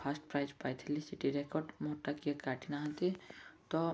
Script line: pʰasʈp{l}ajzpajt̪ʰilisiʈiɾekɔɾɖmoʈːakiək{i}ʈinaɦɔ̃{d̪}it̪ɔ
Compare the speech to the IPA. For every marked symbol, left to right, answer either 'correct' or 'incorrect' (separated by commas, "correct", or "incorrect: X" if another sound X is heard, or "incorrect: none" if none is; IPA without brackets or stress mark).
incorrect: ɾ, incorrect: a, incorrect: t̪